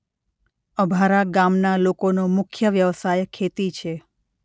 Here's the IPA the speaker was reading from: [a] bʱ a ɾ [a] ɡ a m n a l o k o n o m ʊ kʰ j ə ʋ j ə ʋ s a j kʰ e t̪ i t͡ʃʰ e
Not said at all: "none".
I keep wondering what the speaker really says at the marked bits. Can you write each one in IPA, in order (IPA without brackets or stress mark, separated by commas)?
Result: ə, a